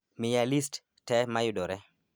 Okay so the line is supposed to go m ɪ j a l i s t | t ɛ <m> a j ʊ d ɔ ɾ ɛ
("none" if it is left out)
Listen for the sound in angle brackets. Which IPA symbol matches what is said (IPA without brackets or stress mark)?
m